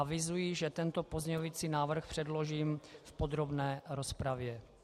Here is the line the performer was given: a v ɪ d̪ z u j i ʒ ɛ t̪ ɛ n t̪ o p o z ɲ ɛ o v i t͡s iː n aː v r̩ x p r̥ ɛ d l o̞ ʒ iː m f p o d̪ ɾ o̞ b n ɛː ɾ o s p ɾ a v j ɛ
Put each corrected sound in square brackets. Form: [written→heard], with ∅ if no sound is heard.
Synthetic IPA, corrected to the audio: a v ɪ [d̪→∅] z u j i ʒ ɛ t̪ ɛ n t̪ o p o z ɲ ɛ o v i t͡s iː n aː v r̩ x p r̥ ɛ d l o̞ ʒ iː m f p o d̪ ɾ o̞ b n ɛː ɾ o s p ɾ a v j ɛ